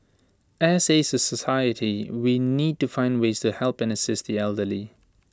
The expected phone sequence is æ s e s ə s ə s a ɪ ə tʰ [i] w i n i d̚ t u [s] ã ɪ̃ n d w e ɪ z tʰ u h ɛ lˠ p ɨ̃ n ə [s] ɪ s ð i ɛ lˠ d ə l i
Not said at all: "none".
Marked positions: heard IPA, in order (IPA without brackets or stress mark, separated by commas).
i, f, s